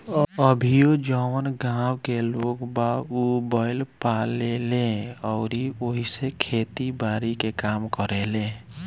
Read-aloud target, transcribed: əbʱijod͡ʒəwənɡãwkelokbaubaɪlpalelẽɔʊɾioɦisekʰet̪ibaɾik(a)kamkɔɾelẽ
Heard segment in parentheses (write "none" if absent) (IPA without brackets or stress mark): e